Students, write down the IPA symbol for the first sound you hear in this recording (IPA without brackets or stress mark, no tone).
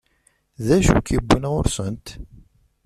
ð